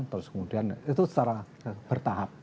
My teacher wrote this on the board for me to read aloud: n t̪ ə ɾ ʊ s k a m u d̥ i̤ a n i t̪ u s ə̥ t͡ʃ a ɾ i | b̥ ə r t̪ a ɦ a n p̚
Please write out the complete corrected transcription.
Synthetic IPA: n t̪ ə ɾ ʊ s k ə m u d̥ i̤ a n i t̪ u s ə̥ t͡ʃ a ɾ a | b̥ ə r t̪ a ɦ a p̚